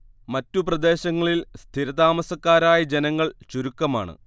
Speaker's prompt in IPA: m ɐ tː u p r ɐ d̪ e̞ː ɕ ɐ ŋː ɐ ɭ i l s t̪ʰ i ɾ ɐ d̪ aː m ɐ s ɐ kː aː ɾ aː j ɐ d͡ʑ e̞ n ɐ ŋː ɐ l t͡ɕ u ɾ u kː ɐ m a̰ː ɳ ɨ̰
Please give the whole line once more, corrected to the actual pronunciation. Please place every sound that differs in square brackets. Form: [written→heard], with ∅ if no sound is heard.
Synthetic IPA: m ɐ tː u p r ɐ d̪ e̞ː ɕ ɐ ŋː ɐ ɭ i l s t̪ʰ i ɾ ɐ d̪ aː m ɐ s ɐ kː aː ɾ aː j ɐ d͡ʑ e̞ n ɐ ŋː ɐ [l→ɭ] t͡ɕ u ɾ u kː ɐ m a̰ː ɳ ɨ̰

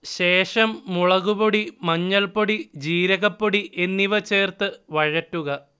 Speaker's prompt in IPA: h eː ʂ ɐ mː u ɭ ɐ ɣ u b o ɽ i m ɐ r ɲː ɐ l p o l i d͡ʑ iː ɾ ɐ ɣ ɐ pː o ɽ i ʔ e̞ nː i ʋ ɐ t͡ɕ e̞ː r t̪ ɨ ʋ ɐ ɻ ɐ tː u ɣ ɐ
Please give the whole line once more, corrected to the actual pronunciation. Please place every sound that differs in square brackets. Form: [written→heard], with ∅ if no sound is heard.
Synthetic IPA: [h→ɕ] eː ʂ ɐ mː u ɭ ɐ ɣ u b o ɽ i m ɐ [r→∅] ɲː ɐ l p o [l→ɽ] i d͡ʑ iː ɾ ɐ ɣ ɐ pː o ɽ i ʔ e̞ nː i ʋ ɐ t͡ɕ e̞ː r t̪ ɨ ʋ ɐ ɻ ɐ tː u ɣ ɐ

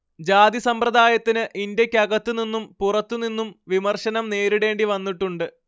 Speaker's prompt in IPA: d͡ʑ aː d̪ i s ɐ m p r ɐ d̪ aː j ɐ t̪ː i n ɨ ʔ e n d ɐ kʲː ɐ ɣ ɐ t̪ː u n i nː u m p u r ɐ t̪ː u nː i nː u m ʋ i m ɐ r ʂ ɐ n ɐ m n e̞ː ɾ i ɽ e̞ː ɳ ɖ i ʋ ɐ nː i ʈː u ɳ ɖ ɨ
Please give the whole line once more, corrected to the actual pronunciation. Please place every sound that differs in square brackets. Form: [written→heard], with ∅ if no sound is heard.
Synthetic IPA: d͡ʑ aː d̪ i s ɐ m p r ɐ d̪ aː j ɐ t̪ː i n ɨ ʔ [e→i] n d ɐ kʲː ɐ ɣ ɐ t̪ː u n i nː u m p u r ɐ t̪ː u [nː→n] i nː u m ʋ i m ɐ r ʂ ɐ n ɐ m n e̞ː ɾ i ɽ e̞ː ɳ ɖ i ʋ ɐ nː i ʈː u ɳ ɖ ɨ

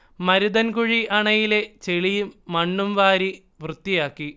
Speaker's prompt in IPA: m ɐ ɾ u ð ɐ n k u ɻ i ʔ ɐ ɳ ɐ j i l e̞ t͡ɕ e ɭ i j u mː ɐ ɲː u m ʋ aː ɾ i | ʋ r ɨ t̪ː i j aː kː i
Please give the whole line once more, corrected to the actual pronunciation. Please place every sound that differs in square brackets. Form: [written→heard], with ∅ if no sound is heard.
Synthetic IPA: m ɐ ɾ u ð ɐ n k u ɻ i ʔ ɐ ɳ ɐ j i l e̞ t͡ɕ e ɭ i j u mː ɐ [ɲː→ɳː] u m ʋ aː ɾ i | ʋ r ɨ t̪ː i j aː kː i

